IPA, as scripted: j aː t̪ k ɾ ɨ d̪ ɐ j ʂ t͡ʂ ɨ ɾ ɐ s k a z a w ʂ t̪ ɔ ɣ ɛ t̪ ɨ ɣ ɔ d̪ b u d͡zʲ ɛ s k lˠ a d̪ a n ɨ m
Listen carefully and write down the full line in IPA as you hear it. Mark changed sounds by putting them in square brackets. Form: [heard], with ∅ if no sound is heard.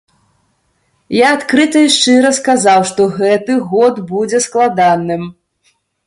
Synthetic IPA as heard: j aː t̪ k ɾ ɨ [t̪] ɐ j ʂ t͡ʂ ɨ ɾ ɐ s k a z a w ʂ t̪ ɔ ɣ ɛ t̪ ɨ ɣ ɔ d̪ b u d͡zʲ ɛ s k lˠ a d̪ a n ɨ m